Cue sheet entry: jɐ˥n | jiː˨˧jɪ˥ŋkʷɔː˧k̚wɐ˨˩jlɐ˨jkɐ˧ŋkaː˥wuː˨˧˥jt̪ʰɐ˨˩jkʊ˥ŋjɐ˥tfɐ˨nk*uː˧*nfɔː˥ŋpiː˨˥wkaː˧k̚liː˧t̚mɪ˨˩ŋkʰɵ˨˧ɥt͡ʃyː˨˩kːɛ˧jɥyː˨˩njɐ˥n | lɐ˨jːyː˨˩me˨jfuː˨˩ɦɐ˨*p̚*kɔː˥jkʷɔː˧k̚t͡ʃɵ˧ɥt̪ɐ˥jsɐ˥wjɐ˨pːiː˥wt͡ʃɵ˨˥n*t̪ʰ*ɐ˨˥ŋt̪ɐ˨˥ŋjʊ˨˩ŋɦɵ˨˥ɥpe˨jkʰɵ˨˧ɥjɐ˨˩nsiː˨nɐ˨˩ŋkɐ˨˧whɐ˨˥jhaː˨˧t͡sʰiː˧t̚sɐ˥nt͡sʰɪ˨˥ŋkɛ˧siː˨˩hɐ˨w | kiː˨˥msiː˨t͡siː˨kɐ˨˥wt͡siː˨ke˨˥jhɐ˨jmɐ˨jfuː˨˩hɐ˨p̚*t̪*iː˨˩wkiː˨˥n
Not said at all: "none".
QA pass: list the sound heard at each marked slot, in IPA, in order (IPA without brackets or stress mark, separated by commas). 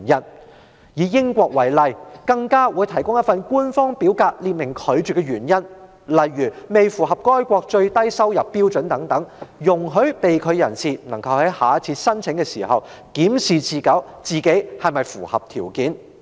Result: uː˥, p̚, t̪, t̪ʰ